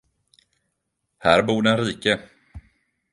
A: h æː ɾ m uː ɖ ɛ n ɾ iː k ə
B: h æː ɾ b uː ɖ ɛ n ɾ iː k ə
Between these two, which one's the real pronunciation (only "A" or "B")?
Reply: B